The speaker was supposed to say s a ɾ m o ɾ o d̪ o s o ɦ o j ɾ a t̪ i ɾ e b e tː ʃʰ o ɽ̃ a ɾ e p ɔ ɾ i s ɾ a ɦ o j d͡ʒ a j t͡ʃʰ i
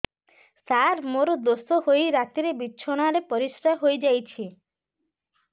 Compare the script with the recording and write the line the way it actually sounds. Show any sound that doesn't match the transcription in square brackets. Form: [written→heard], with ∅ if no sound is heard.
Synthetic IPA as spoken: s a ɾ m o ɾ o d̪ o s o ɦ o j ɾ a t̪ i ɾ e b [e→i] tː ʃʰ o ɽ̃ a ɾ e p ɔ ɾ i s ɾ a ɦ o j d͡ʒ a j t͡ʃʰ i